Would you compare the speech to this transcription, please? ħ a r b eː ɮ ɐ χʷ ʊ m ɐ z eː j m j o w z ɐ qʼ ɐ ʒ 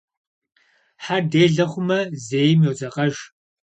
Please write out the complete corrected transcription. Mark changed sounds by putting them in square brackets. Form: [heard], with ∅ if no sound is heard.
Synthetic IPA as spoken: ħ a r [d] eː ɮ ɐ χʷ ʊ m ɐ z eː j m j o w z ɐ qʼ ɐ ʒ